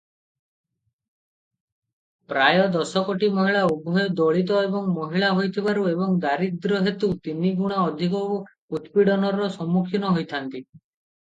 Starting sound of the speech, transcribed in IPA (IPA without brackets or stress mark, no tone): p